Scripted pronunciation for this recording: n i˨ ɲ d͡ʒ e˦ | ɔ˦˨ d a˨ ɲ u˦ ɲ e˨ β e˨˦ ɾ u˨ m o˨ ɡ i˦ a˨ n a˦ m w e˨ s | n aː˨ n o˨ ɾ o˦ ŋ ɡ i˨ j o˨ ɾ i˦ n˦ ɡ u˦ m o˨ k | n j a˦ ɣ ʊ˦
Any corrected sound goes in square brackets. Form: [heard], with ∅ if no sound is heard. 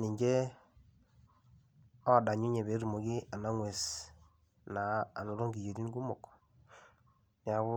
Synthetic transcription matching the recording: n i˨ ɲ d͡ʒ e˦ | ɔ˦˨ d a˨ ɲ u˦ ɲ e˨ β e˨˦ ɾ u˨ m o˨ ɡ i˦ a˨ n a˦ [ŋ] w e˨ s | n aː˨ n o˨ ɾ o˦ ŋ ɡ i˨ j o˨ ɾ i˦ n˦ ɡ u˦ m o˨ k | n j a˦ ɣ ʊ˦